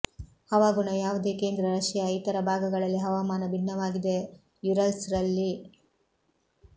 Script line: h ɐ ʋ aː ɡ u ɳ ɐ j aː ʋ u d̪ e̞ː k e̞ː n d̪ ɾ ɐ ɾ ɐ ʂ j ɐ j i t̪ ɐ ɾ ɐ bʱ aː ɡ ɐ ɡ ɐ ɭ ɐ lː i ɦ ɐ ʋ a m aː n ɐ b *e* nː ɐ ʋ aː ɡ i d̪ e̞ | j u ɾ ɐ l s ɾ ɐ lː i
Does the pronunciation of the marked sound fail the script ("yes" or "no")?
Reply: yes